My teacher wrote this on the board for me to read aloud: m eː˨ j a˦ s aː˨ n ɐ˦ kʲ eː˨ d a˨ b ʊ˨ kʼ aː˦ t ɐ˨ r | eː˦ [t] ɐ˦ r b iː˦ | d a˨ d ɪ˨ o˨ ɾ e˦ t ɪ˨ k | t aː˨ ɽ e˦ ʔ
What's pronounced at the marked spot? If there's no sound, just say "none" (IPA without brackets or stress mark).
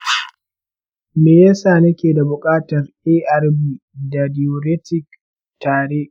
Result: ʔ